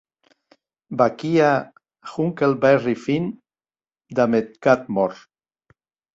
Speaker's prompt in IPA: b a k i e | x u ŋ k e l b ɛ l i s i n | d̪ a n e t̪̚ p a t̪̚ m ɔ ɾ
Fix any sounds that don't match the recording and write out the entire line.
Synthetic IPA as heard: b a k i a | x u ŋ k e l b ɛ r i f i n | d̪ a m e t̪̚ k a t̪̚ m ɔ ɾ